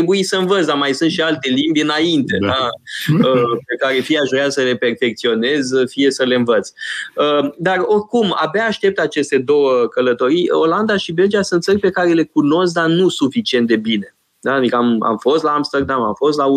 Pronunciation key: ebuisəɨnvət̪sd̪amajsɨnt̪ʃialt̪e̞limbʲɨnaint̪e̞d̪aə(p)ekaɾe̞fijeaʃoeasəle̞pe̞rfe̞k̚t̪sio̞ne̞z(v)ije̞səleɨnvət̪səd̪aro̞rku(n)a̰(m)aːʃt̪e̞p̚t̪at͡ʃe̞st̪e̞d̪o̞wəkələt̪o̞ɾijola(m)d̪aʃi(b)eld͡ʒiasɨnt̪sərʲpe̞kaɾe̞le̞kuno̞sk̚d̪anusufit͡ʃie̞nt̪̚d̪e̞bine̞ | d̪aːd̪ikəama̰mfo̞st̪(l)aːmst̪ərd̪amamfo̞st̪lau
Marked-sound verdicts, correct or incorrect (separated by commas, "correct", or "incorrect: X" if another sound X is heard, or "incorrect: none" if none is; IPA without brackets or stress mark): correct, incorrect: f, incorrect: m, incorrect: b, incorrect: n, correct, correct